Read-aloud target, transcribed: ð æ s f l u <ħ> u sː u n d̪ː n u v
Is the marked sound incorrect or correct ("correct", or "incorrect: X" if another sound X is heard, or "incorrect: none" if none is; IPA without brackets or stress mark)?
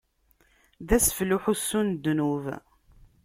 correct